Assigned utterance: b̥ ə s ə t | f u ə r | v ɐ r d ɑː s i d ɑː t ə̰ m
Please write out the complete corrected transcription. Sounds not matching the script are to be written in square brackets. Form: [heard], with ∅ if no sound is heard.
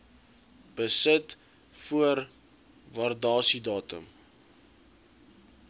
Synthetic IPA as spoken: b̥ ə s ə t | f u ə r | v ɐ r d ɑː s i d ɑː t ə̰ m